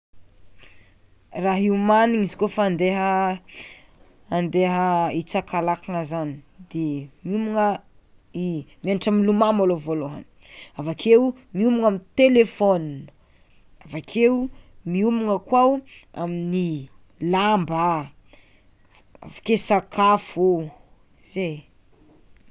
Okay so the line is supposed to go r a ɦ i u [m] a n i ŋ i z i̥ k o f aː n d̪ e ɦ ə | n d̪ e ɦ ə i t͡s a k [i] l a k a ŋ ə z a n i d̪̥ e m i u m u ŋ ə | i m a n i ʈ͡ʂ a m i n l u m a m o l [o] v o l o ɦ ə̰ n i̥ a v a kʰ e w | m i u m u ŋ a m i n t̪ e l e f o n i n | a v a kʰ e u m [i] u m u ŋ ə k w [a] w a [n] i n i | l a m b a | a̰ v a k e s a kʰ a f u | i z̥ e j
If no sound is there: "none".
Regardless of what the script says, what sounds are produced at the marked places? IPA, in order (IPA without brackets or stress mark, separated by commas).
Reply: m, a, o, i, a, m